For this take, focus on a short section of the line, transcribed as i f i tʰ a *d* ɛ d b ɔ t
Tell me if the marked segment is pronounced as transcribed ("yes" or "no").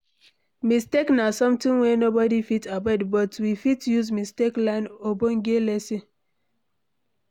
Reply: no